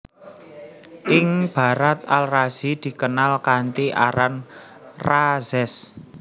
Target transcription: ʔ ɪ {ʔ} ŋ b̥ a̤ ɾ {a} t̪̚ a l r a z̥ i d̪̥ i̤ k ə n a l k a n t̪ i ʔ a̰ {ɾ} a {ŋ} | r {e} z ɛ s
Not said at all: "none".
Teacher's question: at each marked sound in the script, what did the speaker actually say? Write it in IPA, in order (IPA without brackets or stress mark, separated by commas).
none, a, ɾ, n, a